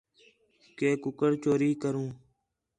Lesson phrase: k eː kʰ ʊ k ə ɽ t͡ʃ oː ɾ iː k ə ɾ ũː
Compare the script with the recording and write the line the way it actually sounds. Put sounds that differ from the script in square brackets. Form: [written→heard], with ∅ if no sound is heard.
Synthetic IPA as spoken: k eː [kʰ→k] ʊ k ə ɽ t͡ʃ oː ɾ iː k ə ɾ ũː